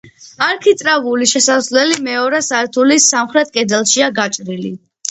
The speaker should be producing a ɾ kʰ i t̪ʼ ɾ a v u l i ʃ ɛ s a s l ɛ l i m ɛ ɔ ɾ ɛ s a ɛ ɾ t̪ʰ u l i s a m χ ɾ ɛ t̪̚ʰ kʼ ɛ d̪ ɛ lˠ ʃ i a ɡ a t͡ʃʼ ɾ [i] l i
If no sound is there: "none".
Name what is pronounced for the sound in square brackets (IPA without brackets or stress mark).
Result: i